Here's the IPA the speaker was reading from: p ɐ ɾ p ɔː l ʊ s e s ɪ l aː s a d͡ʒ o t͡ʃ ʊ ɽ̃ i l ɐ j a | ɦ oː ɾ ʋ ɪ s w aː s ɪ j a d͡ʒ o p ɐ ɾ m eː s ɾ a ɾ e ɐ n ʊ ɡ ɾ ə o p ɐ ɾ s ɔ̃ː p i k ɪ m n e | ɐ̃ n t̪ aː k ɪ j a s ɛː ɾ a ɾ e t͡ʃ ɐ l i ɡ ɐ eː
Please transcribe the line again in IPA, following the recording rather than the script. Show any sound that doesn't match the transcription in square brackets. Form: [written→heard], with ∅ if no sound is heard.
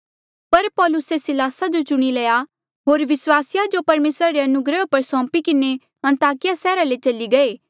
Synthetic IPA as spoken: p ɐ ɾ p ɔː l ʊ s e s ɪ l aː s a d͡ʒ o t͡ʃ ʊ ɽ̃ i l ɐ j a | ɦ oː ɾ ʋ ɪ s w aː s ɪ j a d͡ʒ o p ɐ ɾ m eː s ɾ a ɾ e ɐ n ʊ ɡ ɾ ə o p ɐ ɾ s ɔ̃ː p i k ɪ [m→∅] n e | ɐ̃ n t̪ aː k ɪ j a s ɛː ɾ a [ɾ→l] e t͡ʃ ɐ l i ɡ ɐ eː